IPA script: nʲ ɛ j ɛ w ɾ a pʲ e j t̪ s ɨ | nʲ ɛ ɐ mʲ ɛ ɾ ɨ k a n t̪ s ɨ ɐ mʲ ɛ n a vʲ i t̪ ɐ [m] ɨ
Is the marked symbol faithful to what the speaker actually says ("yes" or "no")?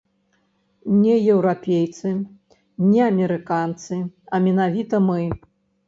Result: yes